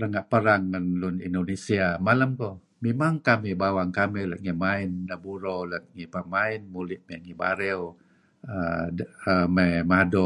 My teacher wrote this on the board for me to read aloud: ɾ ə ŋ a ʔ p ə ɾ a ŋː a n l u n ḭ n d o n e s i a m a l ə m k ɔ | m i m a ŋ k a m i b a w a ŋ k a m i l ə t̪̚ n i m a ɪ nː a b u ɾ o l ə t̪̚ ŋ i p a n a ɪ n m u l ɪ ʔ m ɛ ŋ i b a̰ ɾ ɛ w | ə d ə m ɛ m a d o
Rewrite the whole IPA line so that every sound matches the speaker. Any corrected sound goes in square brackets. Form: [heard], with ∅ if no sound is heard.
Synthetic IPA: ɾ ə ŋ a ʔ p ə ɾ a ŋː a n l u n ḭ n d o n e s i a m a l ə m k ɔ | m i m a ŋ k a m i b a w a ŋ k a m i l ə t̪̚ [ŋ] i m a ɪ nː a b u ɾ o l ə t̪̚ ŋ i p a [m] a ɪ n m u l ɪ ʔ m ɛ ŋ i b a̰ ɾ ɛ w | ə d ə m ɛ m a d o